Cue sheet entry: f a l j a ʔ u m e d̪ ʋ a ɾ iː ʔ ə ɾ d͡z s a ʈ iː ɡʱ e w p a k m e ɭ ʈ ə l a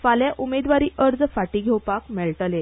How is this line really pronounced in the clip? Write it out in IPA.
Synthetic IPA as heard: f a l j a ʔ u m e d̪ ʋ a ɾ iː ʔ ə ɾ d͡z f a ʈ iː ɡʱ e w p a k m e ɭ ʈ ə l e

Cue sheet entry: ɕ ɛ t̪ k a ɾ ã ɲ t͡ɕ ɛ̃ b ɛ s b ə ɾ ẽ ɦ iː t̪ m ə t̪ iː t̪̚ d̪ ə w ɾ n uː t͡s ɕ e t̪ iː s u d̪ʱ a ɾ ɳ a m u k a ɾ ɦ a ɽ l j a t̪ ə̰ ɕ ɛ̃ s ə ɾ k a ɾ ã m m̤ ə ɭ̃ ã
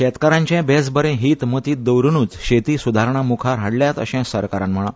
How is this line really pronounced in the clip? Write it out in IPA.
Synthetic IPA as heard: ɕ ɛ t̪ k a ɾ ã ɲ t͡ɕ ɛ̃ b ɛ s b ə ɾ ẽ ɦ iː t̪ m ə t̪ iː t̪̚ d̪ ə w ɾ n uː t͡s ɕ e t̪ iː s u d̪ʱ a ɾ ɳ a m u kʰ a ɾ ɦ a ɽ l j a t̪ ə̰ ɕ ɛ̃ s ə ɾ k a ɾ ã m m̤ ə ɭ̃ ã

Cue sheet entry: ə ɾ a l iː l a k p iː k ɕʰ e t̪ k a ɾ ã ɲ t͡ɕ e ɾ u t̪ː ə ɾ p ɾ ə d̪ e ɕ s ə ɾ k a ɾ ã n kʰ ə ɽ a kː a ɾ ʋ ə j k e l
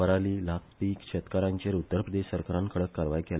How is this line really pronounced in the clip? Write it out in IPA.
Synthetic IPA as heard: ə ɾ a l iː l a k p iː k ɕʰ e t̪ k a ɾ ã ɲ t͡ɕ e ɾ u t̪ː ə ɾ p ɾ ə d̪ e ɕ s ə ɾ k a ɾ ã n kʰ ə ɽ ə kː a ɾ ʋ a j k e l

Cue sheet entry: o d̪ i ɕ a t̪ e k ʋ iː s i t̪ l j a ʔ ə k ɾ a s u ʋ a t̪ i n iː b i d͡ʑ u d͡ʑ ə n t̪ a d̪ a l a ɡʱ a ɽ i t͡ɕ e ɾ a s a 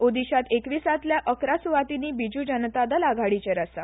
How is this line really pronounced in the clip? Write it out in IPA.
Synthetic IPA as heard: o d̪ i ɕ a t̪ e k ʋ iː s a t̪ l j a ʔ ə k ɾ a s u ʋ a t̪ i n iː b i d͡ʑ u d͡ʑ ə n t̪ a d̪ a l a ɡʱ a ɽ i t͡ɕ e ɾ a s a

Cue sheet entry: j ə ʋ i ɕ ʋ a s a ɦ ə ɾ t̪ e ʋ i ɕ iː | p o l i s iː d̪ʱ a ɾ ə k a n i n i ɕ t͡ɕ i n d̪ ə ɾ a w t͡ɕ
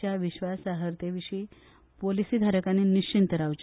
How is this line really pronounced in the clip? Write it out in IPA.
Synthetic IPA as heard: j a ʋ i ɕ ʋ a s a ɦ ə ɾ t̪ e ʋ i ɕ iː | p o l i s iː d̪ʱ a ɾ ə k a n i n i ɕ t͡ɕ i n t̪ ə ɾ a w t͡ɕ

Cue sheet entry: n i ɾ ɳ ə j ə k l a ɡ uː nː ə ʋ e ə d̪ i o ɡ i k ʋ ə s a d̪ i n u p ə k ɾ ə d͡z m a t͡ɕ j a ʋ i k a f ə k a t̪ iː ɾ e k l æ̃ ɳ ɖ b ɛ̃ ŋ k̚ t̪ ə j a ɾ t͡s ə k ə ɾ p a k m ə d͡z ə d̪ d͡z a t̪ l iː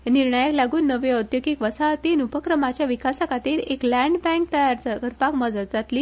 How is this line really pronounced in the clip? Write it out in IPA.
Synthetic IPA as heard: n i ɾ ɳ ə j ə k l a ɡ uː nː ə ʋ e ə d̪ j o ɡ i k ʋ ə s a t̪ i n u p ə k ɾ ə m a t͡ɕ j a ʋ i k a s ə k a t̪ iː ɾ e k l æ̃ ɳ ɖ b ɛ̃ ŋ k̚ t̪ ə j a ɾ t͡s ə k ə ɾ p a k m ə d͡z ə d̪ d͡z a t̪ l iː

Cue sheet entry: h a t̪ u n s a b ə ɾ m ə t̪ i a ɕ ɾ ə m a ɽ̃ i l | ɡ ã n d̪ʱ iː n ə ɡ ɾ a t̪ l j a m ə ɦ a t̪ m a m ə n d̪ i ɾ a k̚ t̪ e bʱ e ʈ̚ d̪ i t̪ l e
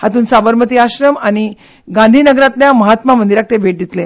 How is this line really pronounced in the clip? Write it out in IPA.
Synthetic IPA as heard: h a t̪ uː n s a b ə ɾ m ə t̪ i a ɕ ɾ ə m a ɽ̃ i | ɡ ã n d̪ʱ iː n ə ɡ ɾ a t̪ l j a m ə ɦ a t̪ m a m ə n d̪ i ɾ a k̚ t̪ e bʱ e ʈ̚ d̪ i t̪ l e

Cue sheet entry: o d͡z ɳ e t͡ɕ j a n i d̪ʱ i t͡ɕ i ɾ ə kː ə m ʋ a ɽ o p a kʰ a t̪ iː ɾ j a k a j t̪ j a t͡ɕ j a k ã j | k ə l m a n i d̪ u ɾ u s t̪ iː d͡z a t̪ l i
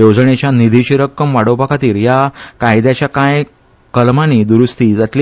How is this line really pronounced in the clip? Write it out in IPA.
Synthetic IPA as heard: o d͡z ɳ e t͡ɕ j a n i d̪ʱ i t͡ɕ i ɾ ə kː ə m ʋ a ɽ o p a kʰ a t̪ iː ɾ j a k a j d̪ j a t͡ɕ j a k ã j | k ə l m a n i d̪ u ɾ u s t̪ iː d͡z a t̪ l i

